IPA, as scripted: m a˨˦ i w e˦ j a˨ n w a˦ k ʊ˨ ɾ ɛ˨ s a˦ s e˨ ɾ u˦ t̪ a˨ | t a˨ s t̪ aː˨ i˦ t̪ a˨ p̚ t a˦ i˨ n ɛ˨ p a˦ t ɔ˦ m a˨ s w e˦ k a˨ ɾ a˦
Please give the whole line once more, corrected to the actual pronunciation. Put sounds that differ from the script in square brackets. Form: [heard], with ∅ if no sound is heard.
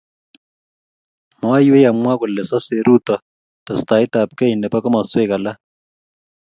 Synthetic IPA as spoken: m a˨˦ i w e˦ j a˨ [m] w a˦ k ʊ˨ [l] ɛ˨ s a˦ s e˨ ɾ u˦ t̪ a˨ | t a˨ s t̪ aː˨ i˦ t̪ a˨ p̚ [k] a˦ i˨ n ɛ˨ p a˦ [k] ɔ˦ m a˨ s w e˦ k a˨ [l] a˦